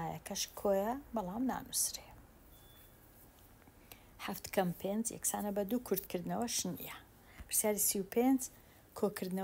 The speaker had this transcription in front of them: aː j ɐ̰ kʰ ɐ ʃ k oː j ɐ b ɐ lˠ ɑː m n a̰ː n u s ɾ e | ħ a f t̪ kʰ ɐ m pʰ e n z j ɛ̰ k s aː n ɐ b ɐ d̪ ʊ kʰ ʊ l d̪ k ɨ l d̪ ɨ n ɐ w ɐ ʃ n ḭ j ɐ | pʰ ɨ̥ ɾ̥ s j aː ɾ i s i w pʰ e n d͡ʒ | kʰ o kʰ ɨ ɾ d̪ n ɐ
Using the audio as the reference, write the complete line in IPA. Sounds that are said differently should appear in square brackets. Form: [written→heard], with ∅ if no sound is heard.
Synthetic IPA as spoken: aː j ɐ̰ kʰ ɐ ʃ [k→kʰ] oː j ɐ b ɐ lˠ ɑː m n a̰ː n u s ɾ e | ħ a f t̪ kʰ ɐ m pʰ e n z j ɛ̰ k s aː n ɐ b ɐ d̪ [ʊ→u] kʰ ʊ [l→ɾ] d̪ k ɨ [l→ɾ] d̪ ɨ n ɐ w ɐ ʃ n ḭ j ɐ | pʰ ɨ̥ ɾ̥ s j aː ɾ i s i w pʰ e n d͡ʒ | kʰ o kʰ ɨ ɾ d̪ n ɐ